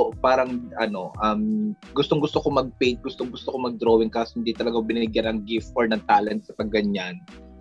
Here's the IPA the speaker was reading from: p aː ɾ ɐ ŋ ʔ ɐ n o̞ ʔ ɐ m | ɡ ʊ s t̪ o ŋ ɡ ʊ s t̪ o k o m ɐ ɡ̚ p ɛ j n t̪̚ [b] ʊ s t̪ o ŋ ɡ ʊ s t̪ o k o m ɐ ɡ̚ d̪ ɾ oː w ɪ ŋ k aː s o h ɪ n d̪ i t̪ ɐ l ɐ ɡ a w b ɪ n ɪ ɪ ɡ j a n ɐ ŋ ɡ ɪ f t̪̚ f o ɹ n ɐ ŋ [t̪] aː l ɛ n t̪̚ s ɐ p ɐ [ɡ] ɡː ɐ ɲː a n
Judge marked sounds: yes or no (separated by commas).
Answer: no, yes, yes